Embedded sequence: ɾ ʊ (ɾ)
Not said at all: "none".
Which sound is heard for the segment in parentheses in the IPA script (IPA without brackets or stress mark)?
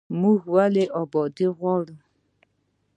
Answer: none